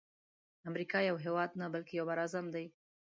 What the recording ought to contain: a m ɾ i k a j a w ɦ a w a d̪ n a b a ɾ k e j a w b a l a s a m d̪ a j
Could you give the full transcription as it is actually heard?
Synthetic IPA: a m ɾ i k ɑ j a w ɦ e w ɑ d̪ n a b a l k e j a w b a ɾ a z a m d̪ a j